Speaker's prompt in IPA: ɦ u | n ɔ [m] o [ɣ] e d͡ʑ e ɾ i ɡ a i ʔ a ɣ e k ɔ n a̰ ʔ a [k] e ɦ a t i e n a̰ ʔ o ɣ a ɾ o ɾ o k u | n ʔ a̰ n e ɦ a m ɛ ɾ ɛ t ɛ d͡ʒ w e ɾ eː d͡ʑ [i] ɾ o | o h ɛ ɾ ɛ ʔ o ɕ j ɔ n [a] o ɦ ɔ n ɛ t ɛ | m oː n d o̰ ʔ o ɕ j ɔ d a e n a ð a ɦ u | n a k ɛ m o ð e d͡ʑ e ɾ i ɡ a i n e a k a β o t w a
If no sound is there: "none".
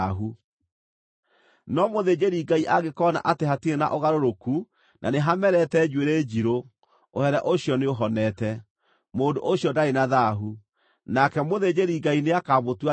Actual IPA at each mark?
m, ð, t, i, e

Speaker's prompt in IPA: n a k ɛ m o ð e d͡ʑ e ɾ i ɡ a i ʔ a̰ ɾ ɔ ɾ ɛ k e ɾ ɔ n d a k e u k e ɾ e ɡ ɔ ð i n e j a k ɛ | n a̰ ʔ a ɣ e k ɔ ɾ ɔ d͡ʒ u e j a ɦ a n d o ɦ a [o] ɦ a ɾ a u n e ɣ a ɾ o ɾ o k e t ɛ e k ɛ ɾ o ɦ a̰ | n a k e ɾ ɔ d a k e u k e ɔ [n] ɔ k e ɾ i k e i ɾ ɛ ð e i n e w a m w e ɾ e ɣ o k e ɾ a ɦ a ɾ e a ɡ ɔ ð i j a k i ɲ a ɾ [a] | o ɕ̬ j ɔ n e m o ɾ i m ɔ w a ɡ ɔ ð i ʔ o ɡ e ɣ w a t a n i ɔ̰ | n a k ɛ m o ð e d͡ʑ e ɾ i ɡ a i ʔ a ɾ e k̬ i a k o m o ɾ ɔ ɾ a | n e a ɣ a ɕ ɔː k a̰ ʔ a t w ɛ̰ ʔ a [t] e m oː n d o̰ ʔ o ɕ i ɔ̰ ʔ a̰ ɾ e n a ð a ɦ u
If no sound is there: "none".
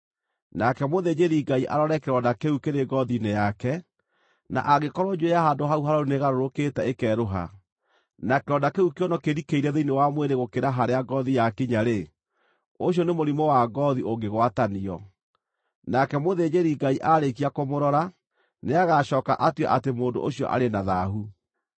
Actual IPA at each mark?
u, n, e, t

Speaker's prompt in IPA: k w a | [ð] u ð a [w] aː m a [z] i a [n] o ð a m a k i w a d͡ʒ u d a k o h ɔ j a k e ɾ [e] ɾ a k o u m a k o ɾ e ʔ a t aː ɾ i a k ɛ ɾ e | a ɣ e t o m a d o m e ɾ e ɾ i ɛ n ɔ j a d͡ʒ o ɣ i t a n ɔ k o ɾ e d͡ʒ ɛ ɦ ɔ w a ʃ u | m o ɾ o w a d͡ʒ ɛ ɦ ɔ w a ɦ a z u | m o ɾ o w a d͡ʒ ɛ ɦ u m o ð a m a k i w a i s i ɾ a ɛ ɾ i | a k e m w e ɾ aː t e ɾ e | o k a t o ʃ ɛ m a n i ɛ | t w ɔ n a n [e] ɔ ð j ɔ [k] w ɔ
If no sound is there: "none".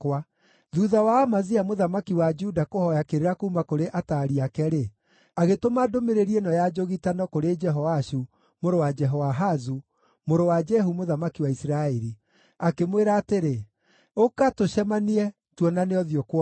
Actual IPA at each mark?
ð, w, z, m, e, e, k

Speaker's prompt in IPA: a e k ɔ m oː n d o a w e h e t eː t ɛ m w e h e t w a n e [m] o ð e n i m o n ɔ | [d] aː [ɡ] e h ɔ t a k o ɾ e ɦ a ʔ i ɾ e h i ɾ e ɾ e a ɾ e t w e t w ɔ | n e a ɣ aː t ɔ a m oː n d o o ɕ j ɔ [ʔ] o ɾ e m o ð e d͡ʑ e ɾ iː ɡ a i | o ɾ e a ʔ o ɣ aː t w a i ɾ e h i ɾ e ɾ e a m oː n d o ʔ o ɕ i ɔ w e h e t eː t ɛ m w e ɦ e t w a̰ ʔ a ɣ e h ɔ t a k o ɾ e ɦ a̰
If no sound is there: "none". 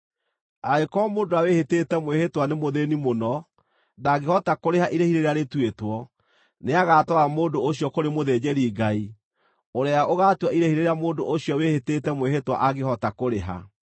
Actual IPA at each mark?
m, n, ɡ, k

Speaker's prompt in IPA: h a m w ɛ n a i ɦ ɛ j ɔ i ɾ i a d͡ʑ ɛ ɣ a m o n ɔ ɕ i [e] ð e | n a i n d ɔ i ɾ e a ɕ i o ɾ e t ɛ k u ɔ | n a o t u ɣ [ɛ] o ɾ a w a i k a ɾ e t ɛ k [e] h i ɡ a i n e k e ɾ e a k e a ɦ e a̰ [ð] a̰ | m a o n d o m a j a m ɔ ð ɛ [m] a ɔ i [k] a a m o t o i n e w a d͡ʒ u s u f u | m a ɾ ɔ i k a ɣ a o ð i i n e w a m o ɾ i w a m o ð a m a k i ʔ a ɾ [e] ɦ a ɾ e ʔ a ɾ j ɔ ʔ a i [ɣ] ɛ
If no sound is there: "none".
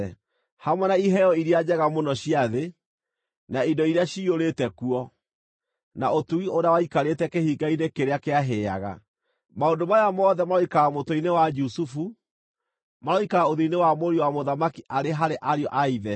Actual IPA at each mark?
a, i, e, ɣ, m, k, e, ð

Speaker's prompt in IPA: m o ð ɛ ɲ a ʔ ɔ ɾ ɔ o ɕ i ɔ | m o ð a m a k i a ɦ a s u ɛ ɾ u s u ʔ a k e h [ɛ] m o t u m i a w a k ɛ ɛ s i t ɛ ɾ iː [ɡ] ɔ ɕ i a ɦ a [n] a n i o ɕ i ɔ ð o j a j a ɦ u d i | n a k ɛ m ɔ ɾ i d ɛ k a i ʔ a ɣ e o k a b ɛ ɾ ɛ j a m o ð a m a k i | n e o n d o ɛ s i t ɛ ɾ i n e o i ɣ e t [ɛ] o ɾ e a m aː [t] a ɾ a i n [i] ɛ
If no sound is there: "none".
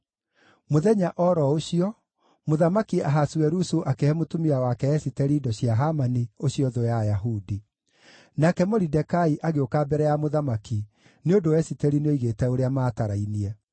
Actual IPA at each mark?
ɛ, d, m, ɛ, t, i

